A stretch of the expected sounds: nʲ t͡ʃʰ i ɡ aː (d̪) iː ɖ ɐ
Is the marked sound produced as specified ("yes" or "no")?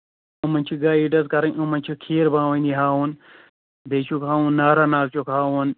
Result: no